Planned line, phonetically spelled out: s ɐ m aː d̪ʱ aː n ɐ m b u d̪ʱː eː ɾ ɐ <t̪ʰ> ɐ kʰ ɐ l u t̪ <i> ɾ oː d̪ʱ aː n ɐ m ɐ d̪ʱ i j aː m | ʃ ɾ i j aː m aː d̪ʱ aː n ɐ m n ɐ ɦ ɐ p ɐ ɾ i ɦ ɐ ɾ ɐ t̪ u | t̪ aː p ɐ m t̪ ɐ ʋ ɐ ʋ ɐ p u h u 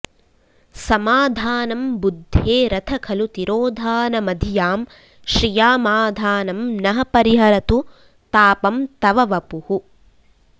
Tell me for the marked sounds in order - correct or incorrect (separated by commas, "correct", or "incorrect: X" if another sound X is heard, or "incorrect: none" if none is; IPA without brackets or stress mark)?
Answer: correct, correct